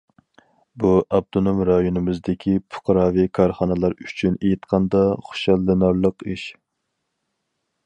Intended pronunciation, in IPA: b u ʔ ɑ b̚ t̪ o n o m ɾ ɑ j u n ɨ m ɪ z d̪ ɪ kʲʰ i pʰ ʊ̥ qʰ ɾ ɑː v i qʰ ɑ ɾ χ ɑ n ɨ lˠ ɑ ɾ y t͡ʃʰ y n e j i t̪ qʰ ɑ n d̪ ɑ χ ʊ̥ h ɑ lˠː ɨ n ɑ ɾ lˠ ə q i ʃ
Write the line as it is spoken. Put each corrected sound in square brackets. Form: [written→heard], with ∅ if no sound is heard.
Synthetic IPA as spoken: b u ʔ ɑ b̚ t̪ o n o m ɾ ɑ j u n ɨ m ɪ z d̪ ɪ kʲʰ i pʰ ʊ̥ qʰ ɾ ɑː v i [qʰ→kʰ] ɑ ɾ χ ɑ n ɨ lˠ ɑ ɾ y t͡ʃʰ y n e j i t̪ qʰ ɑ n d̪ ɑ χ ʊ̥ [h→ʃ] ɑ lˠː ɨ n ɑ ɾ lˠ ə q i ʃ